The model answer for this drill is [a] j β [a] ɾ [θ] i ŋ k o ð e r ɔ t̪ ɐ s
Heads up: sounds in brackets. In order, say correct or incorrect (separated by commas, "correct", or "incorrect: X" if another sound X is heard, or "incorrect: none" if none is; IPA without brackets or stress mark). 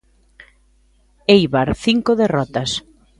incorrect: e, correct, correct